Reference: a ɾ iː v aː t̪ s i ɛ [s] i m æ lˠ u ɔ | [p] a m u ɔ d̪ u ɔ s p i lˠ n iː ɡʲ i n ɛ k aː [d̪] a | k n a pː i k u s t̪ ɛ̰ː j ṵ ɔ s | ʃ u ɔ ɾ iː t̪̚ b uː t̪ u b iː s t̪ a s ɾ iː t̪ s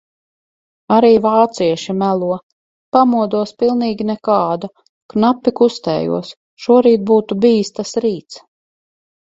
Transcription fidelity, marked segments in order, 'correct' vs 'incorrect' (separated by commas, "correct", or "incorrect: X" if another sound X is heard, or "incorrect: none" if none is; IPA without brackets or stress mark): incorrect: ʃ, correct, correct